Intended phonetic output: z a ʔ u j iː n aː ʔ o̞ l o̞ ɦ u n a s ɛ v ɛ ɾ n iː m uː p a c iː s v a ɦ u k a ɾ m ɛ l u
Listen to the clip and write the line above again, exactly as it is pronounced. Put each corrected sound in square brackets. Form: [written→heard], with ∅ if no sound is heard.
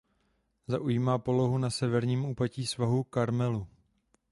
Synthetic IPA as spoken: z a ʔ u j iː [n→m] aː [ʔ→p] o̞ l o̞ ɦ u n a s ɛ v ɛ ɾ [n→ɲ] iː m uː p a c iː s v a ɦ u k a ɾ m ɛ l u